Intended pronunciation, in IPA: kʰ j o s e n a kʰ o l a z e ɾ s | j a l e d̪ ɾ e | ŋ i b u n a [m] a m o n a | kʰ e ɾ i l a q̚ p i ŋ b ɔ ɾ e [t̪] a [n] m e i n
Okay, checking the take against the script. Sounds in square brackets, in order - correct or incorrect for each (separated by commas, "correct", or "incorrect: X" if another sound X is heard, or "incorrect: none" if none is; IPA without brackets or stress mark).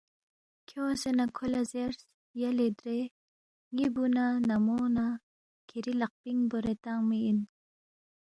incorrect: n, correct, incorrect: ŋ